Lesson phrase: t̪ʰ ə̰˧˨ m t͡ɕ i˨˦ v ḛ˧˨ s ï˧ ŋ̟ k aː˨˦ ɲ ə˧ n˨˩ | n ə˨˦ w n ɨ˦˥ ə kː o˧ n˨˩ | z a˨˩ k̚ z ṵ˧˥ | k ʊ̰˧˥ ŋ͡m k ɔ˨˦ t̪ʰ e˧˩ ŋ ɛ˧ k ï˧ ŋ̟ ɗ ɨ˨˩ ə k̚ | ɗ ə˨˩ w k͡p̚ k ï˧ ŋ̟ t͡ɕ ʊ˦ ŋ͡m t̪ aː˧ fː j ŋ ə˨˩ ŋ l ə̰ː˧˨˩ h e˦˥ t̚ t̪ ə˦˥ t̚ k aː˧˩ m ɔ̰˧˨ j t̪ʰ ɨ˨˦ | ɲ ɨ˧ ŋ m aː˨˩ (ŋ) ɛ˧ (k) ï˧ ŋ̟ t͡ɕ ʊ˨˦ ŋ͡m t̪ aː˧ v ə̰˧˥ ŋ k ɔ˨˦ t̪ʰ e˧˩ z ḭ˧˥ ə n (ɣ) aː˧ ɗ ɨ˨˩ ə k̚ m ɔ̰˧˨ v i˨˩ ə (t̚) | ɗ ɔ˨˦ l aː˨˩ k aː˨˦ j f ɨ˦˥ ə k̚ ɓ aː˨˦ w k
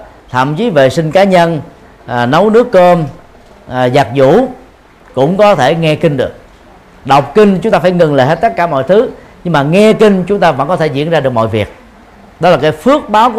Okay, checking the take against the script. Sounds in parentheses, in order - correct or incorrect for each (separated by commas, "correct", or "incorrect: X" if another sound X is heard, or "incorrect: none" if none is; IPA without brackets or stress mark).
correct, correct, incorrect: z, incorrect: k̚